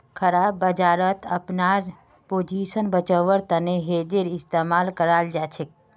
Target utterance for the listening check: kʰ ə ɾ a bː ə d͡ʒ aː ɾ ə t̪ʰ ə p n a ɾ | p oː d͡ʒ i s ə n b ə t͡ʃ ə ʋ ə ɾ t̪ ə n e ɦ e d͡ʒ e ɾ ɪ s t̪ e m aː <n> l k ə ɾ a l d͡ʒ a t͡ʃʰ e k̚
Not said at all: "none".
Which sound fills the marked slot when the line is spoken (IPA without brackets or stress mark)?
none